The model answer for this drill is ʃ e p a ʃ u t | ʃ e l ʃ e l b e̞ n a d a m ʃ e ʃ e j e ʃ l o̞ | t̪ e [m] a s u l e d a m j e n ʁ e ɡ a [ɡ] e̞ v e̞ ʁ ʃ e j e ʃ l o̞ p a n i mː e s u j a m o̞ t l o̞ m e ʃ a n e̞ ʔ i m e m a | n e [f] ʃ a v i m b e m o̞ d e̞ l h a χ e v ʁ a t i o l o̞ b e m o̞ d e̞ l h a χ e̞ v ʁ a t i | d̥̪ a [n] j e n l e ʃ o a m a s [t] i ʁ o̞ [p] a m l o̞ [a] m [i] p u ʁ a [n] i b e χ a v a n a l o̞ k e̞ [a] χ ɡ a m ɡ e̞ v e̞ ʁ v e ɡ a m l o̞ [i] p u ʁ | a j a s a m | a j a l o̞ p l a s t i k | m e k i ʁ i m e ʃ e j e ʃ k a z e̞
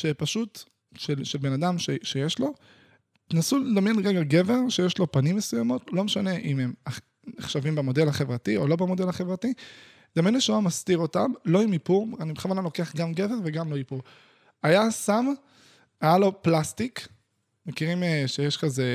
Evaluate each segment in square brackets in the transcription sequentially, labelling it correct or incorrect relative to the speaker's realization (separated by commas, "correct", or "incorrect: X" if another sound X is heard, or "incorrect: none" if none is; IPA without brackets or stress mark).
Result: incorrect: n, correct, incorrect: χ, incorrect: m, correct, incorrect: t, incorrect: i, correct, correct, correct, correct